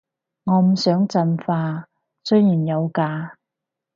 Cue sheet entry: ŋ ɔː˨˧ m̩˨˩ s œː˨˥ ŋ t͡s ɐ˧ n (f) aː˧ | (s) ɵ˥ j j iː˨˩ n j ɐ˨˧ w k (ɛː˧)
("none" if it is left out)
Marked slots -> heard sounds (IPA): f, s, aː˧

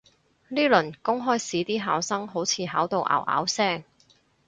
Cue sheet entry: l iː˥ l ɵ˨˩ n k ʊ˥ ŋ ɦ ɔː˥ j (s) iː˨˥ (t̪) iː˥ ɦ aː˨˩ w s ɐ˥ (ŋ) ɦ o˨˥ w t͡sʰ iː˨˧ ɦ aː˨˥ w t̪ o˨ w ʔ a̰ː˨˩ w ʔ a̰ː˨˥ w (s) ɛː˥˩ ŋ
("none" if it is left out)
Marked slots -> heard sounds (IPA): s, t̪, ŋ, s

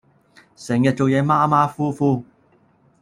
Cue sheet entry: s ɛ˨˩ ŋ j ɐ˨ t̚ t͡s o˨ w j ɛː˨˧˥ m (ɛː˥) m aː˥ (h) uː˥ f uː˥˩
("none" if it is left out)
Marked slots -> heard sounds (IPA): aː˥, f

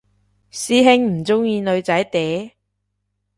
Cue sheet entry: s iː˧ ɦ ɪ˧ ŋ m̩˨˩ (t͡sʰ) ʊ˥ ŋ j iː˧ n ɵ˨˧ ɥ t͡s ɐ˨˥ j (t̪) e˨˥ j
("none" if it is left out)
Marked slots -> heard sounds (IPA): t͡s, t̪

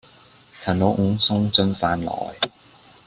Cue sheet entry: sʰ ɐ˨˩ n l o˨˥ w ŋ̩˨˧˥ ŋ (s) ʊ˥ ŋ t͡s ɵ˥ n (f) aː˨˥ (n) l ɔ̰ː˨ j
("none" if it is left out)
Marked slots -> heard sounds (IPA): s, f, n

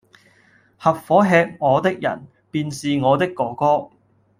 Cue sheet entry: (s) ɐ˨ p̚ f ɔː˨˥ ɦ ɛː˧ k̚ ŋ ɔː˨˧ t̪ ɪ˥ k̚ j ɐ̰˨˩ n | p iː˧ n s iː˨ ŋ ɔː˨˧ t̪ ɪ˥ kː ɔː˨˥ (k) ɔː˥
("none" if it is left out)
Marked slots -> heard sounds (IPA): h, k

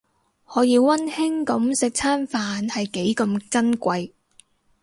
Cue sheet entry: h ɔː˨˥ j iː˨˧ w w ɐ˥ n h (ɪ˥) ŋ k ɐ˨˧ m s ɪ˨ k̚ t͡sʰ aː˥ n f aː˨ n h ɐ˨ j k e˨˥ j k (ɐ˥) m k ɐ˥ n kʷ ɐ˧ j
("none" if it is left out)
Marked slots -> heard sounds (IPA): ɪ˥, ɐ˧

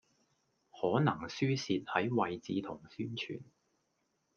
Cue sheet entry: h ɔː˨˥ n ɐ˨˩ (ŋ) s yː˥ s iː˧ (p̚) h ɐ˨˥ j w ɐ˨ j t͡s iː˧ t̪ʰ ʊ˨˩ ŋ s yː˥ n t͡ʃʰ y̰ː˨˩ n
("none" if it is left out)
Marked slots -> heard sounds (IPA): ŋ, t̚

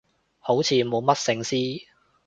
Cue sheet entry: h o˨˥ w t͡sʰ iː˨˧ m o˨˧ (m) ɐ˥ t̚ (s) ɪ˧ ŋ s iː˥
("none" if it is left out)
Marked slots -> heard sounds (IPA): m, s

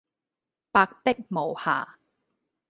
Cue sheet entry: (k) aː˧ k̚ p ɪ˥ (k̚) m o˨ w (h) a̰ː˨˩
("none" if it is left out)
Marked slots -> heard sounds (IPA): p, k̚, h

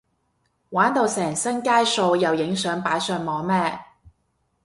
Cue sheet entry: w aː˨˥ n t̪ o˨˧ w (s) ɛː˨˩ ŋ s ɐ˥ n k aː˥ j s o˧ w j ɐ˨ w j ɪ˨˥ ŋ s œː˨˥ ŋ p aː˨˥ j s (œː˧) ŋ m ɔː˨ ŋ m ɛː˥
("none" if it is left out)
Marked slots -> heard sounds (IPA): s, œː˧

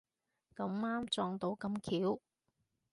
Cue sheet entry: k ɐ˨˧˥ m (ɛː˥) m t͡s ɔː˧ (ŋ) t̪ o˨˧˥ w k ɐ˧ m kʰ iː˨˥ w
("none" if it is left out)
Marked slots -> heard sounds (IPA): aː˥, ŋ

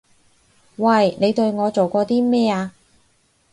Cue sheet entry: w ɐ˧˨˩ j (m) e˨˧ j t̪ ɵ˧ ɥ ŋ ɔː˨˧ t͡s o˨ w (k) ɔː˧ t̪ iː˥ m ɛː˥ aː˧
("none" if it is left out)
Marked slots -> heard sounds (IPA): n, k

